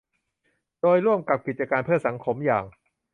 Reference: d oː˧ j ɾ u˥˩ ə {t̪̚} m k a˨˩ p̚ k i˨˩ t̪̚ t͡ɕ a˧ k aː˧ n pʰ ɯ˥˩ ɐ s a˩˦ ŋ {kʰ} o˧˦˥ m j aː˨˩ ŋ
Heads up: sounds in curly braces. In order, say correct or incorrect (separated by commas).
incorrect, correct